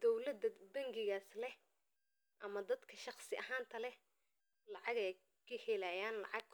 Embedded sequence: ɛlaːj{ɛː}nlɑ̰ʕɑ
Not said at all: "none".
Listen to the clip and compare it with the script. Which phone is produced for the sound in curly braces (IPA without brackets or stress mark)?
aː